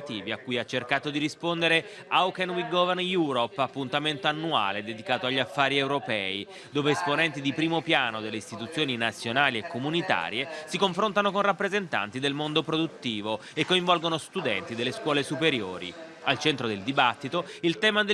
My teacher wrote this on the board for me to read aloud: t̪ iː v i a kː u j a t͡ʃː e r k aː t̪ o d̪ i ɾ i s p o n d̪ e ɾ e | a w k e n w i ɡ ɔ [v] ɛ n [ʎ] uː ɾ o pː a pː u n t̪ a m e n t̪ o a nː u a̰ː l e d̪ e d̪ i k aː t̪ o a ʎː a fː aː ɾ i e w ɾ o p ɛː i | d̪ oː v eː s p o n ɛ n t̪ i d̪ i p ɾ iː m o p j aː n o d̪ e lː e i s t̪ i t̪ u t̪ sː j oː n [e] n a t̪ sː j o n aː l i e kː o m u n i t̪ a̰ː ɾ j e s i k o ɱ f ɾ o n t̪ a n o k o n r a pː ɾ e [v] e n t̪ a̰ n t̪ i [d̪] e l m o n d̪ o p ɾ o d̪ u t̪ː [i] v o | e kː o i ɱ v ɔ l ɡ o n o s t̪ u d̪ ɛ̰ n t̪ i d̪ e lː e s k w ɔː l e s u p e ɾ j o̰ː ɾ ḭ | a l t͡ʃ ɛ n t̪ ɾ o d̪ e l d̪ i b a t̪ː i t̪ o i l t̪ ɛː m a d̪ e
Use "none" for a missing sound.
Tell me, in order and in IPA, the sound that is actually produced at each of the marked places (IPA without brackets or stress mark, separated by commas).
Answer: v, j, i, z, d̪, iː